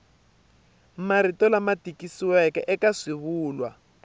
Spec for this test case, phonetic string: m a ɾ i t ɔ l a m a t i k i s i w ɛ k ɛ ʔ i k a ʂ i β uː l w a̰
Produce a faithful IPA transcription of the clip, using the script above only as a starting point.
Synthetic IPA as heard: m a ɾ i t ɔ l a m a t i k i s i w ɛ k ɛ ʔ ɛ k a ʂ i β uː l w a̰